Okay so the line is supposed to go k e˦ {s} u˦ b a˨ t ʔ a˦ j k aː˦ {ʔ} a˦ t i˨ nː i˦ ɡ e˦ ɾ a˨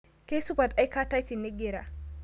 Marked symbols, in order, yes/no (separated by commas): yes, no